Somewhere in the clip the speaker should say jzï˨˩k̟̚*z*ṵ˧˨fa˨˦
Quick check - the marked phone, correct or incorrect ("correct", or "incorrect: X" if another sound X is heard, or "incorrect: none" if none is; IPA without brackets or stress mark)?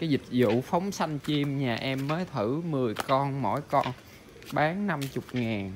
correct